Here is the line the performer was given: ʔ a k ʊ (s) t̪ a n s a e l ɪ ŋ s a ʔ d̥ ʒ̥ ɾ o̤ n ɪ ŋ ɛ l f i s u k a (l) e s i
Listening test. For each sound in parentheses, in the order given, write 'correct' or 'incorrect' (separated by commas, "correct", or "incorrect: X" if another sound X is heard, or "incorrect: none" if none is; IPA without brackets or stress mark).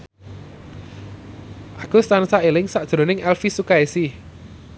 correct, incorrect: none